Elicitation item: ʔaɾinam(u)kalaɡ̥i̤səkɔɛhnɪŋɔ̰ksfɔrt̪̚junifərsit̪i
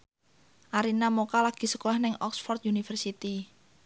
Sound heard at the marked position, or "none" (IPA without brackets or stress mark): o